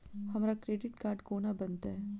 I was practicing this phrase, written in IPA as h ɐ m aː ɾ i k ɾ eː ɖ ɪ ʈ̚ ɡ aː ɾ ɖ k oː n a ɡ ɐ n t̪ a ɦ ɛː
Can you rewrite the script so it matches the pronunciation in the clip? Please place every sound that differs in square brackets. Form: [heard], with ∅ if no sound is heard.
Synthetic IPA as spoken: h ɐ m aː ɾ [a] k ɾ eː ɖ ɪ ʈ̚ [k] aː ɾ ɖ k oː n a [b] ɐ n t̪ a ɦ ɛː